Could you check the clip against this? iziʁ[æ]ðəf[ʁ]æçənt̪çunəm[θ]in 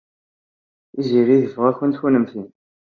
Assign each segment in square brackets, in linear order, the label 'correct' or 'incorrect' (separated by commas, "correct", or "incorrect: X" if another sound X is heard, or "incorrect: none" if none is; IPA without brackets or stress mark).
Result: incorrect: i, correct, correct